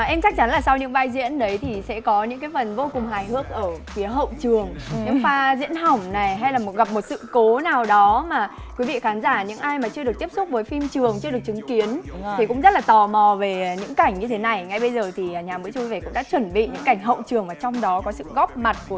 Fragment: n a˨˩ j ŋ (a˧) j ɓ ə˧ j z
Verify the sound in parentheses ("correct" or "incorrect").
correct